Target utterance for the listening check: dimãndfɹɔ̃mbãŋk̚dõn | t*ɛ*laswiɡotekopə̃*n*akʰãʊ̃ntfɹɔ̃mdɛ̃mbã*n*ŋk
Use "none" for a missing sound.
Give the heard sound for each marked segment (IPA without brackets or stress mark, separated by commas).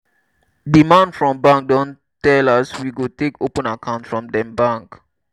ɛ, n, none